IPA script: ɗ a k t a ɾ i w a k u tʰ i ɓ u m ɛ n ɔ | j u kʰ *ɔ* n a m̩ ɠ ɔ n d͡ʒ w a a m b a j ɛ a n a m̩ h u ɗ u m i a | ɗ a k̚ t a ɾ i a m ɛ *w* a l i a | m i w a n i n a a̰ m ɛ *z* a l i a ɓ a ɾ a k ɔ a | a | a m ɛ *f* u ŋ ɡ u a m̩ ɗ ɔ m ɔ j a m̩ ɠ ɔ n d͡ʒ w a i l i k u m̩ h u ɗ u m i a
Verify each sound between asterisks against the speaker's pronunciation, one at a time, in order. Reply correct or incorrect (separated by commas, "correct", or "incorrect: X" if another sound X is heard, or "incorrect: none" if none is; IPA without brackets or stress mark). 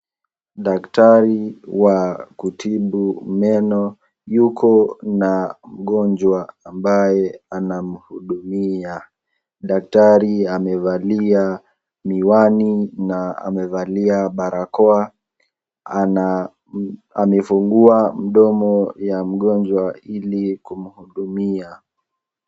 correct, incorrect: v, incorrect: v, correct